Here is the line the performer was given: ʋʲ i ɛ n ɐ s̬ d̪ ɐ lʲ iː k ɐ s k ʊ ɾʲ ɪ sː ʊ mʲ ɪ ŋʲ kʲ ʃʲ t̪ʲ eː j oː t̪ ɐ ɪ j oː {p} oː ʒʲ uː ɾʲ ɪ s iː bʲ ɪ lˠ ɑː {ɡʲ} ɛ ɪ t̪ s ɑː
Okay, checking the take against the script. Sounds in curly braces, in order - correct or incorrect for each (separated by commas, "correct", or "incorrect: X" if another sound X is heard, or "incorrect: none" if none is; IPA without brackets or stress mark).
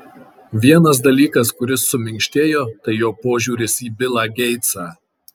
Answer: correct, correct